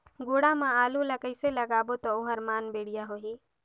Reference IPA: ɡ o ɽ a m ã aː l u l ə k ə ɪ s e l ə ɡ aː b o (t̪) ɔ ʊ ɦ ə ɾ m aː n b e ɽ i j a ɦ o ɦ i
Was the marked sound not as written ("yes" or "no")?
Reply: no